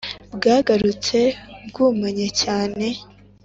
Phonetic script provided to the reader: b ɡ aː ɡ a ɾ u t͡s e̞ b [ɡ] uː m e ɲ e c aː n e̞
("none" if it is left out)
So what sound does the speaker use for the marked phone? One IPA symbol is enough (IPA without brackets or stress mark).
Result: ɡ